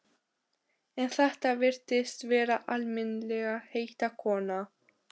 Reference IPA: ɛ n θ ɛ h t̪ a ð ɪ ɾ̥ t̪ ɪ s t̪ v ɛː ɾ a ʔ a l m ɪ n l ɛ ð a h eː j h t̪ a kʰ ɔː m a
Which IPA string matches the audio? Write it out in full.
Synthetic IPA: ɛ n θ ɛ h t̪ a v ɪ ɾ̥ t̪ ɪ s t̪ v ɛː ɾ a ʔ a l m ɪ n l ɛ ɣ a h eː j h t̪ a kʰ ɔː n a